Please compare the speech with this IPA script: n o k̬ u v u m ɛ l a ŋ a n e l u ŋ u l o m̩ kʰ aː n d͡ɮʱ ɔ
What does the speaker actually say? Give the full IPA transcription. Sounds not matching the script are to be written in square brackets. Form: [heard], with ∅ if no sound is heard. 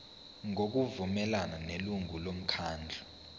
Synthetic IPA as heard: [ŋ] o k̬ u v u m ɛ l a [n] a n e l u ŋ u l o m̩ kʰ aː n d͡ɮʱ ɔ